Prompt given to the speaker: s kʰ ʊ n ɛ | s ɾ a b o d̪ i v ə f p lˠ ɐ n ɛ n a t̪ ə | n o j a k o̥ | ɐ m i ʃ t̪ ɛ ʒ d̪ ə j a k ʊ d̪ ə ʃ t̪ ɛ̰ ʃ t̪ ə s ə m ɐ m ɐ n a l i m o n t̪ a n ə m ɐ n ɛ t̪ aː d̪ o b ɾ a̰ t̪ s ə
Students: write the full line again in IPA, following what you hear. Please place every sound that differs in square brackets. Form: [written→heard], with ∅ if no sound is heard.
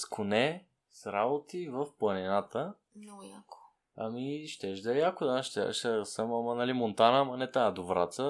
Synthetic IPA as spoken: s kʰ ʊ n ɛ | s ɾ a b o [d̪→t̪] i v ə f p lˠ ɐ n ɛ n a t̪ ə | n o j a k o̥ | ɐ m i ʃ t̪ ɛ ʒ d̪ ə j a k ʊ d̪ [ə→a] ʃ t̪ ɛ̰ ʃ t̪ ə s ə m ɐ m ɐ n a l i m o n t̪ a n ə m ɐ n ɛ t̪ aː d̪ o [b→v] ɾ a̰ t̪ s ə